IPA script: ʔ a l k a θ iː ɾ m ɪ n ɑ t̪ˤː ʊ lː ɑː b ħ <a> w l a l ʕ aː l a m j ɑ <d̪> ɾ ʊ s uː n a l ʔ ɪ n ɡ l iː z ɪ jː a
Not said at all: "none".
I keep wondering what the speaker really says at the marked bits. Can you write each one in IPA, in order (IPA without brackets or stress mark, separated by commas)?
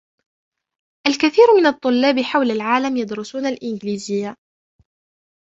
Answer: a, d̪